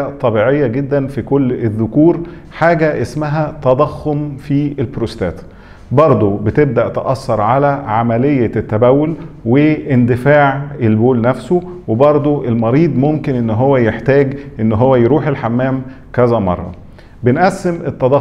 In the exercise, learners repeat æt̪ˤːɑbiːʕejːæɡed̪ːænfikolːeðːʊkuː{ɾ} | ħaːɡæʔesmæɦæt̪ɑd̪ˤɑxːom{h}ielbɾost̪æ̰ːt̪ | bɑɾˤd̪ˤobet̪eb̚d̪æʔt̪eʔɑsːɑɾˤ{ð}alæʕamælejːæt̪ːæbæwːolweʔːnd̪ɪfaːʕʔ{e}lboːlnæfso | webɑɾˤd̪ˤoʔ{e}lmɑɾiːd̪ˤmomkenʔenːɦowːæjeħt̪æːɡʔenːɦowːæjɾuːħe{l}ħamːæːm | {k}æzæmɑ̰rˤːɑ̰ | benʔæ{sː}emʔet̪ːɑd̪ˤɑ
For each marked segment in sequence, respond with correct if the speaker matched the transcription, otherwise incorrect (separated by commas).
correct, incorrect, incorrect, correct, correct, correct, correct, correct